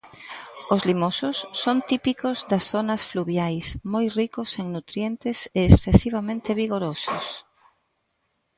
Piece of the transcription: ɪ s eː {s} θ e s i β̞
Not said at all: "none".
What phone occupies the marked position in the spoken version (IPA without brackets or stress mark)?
s